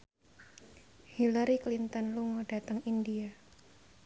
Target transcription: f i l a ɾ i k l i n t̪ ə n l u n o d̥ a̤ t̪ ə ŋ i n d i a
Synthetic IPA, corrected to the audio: h i l a ɾ i k l i n t̪ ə n l u ŋ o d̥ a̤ t̪ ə ŋ i n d i a